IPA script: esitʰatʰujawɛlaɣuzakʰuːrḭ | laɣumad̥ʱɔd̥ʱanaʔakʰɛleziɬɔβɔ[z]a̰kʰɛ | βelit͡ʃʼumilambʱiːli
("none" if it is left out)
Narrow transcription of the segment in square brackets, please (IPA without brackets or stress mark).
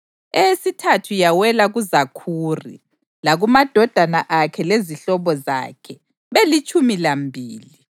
z